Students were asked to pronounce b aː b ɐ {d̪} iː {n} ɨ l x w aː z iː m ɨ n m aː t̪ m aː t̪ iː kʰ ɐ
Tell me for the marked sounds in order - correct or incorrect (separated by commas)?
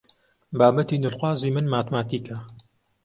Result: incorrect, correct